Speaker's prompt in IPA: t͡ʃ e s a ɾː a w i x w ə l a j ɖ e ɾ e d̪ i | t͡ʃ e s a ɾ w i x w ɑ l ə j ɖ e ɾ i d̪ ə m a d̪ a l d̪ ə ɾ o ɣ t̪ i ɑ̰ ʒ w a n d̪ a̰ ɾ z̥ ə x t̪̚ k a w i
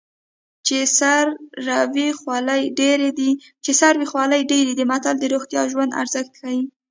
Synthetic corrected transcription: t͡ʃ e s a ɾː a w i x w ɑ l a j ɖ e ɾ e d̪ i | t͡ʃ e s a ɾ w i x w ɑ l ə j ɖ e ɾ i d̪ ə m a t̪ a l d̪ ə ɾ o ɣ t̪ j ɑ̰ ʒ w a n d̪ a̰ ɾ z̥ ə x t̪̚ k a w i